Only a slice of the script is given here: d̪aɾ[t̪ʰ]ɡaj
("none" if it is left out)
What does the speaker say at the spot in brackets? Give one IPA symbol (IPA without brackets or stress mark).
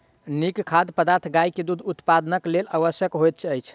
t̪ʰ